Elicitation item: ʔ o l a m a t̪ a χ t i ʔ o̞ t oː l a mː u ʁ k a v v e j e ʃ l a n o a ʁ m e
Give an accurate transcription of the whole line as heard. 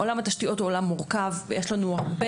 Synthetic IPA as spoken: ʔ o l a m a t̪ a ʃ t i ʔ o̞ t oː l a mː u ʁ k a v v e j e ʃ l a n u a ʁ b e